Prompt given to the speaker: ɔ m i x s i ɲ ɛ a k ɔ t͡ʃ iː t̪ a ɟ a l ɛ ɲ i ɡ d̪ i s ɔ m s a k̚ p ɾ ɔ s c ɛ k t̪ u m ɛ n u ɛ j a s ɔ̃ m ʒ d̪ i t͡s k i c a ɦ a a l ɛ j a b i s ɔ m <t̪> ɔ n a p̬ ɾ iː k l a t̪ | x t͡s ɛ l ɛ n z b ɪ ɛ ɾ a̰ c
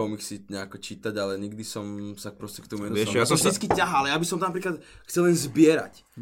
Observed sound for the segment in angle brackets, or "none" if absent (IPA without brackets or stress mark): t̪